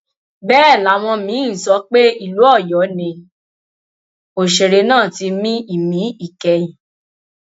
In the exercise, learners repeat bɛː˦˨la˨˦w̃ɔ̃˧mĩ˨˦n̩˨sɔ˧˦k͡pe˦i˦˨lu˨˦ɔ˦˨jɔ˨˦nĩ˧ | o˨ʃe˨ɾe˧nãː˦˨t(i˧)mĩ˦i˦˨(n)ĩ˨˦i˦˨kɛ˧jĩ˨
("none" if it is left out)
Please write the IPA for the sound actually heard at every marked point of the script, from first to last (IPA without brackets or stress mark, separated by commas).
i˧, m